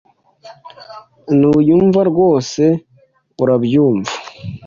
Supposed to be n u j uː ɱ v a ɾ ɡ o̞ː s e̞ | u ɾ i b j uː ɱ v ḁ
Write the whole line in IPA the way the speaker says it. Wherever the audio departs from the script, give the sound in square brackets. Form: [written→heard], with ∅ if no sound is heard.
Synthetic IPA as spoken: n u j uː ɱ v a ɾ ɡ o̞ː s e̞ | u ɾ [i→a] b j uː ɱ v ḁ